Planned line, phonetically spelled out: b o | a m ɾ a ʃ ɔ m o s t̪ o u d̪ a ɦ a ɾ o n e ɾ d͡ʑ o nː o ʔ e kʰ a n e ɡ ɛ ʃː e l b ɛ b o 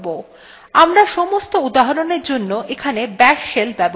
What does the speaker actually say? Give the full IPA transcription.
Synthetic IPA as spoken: b o | a m ɾ a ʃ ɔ m o s t̪ o u d̪ a ɦ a ɾ o n e ɾ d͡ʑ o nː o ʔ e kʰ a n e b ɛ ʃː e l b ɛ b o